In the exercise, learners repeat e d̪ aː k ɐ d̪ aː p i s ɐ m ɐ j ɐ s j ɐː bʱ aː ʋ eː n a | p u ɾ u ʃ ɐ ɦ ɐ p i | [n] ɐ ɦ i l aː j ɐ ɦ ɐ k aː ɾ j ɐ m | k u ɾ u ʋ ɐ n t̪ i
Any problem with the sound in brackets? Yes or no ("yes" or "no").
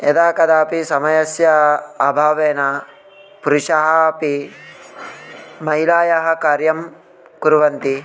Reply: yes